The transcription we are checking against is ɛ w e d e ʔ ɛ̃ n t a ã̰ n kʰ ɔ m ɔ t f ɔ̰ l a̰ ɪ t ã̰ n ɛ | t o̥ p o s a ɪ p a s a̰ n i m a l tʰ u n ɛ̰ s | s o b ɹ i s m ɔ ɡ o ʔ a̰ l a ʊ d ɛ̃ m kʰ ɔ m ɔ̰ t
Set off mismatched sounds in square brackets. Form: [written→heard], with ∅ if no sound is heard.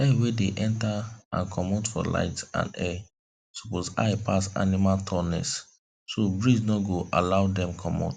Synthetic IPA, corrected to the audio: ɛ w e d e ʔ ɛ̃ n t a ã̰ n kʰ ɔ m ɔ t f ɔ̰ l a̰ ɪ t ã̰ n ɛ | [t→s] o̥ p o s a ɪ p a s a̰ n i m a l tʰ [u→ɔ] n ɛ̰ s | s o b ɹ i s [m→n] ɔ ɡ o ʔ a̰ l a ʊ d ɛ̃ m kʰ ɔ m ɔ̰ t